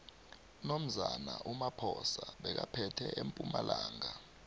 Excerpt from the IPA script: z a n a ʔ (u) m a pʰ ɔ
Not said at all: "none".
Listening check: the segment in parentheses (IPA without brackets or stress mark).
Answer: u